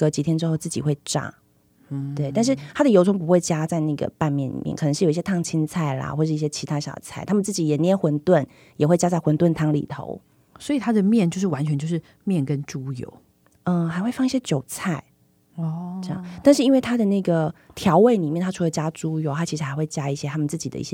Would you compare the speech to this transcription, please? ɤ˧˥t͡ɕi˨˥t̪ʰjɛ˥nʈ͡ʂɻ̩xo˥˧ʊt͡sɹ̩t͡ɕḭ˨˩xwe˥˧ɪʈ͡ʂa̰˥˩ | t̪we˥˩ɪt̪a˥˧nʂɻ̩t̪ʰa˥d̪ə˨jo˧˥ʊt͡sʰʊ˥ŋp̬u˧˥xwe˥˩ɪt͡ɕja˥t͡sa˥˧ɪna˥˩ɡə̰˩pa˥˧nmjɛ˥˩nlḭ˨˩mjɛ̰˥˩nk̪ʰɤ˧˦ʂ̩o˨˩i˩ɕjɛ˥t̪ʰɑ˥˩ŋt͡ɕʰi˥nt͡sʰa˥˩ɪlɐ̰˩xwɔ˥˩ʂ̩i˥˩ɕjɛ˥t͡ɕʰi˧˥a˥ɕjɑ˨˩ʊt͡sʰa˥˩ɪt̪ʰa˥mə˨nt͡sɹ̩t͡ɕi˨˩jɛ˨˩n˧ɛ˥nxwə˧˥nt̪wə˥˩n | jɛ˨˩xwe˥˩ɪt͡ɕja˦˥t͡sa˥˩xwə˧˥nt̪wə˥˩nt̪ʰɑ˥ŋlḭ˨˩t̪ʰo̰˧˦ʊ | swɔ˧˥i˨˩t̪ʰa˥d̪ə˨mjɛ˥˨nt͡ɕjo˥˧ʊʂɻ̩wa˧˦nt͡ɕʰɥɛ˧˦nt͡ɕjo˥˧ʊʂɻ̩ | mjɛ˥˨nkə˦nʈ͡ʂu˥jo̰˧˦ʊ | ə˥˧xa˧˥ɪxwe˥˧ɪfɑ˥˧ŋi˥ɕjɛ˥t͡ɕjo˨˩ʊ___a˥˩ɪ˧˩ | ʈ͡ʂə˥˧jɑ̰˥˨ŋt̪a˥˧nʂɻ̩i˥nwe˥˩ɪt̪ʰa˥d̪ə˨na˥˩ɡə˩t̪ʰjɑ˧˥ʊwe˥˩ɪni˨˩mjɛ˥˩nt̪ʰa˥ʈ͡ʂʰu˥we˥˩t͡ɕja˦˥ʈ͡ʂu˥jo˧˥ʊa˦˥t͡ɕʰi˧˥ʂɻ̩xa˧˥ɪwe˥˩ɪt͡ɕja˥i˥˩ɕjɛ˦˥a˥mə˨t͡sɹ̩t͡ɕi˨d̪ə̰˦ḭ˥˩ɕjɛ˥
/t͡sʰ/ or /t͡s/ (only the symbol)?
t͡sʰ